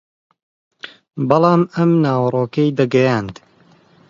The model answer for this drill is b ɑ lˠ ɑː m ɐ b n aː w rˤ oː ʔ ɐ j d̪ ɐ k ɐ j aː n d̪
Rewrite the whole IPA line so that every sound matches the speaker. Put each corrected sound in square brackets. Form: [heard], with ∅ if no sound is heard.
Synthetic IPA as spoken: b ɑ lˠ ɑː m ɐ [m] n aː w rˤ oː [k] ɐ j d̪ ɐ [ɡ] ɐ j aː n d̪